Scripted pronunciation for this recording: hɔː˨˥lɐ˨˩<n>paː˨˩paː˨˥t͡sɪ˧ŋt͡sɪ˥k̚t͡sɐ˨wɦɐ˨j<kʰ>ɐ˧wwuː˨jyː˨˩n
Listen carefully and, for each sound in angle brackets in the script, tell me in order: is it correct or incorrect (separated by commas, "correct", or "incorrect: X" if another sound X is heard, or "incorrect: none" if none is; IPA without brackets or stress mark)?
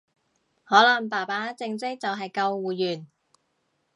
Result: incorrect: ŋ, incorrect: k